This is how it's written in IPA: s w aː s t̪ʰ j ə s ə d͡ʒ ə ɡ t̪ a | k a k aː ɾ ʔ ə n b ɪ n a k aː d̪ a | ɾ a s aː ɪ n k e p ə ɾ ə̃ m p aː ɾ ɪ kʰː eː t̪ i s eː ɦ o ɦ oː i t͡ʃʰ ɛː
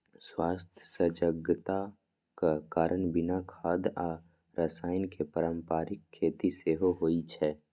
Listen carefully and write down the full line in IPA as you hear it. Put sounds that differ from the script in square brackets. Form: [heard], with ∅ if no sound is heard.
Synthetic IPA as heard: s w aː s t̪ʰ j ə s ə d͡ʒ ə ɡ t̪ a | k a k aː ɾ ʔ ə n b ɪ n a [kʰ] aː d̪ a | ɾ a s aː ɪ n k e p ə ɾ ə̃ m p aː ɾ ɪ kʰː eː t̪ i s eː ɦ o ɦ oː i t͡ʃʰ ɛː